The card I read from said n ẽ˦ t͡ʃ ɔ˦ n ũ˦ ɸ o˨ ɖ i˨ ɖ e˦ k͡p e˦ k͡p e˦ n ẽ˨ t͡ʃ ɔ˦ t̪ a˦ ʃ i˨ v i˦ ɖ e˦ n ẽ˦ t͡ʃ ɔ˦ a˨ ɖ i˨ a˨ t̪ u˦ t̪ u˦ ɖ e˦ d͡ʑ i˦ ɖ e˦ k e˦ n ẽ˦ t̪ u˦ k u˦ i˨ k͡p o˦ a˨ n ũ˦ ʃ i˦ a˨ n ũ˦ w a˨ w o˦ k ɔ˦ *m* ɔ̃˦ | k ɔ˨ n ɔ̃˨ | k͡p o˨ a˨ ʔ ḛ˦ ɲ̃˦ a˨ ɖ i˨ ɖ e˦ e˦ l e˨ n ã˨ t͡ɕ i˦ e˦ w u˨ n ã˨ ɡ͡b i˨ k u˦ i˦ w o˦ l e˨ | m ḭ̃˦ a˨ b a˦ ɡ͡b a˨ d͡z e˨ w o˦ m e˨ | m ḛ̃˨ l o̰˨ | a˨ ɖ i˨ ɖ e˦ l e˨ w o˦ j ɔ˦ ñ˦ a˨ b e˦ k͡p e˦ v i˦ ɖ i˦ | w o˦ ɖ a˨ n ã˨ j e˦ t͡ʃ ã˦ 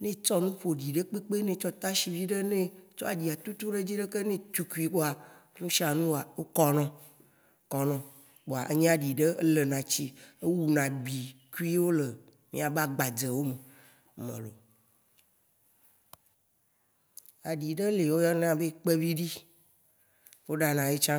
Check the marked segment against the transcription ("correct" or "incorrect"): incorrect